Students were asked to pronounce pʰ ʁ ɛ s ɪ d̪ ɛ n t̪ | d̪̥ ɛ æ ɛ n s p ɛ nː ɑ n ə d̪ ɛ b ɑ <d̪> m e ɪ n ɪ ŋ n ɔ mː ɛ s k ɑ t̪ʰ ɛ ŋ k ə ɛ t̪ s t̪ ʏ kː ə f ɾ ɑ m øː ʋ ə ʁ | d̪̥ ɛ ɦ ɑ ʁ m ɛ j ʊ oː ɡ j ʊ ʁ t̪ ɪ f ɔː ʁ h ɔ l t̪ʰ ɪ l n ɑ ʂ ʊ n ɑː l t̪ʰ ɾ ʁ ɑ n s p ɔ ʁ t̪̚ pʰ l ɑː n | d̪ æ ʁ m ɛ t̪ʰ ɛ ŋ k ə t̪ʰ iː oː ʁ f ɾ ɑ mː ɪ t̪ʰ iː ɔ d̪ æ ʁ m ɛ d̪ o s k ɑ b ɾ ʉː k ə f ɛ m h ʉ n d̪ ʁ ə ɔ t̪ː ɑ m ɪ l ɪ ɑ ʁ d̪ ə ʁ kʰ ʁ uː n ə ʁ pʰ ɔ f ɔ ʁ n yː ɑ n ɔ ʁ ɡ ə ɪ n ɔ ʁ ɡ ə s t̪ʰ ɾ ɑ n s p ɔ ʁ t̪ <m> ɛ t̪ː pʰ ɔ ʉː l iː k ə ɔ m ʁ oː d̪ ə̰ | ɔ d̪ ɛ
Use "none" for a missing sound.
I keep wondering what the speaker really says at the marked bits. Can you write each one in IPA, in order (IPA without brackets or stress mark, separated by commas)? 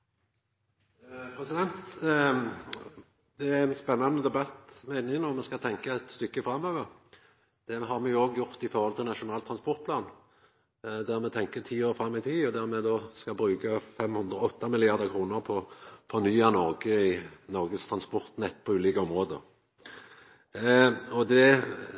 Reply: t̪, n